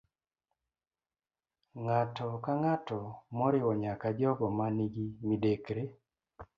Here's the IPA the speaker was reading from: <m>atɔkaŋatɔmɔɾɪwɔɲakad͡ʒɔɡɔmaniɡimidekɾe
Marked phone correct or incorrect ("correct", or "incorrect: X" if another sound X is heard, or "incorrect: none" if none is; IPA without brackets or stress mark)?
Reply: incorrect: ŋ